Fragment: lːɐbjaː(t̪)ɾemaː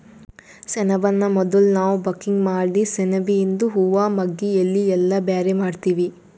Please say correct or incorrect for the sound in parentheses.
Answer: incorrect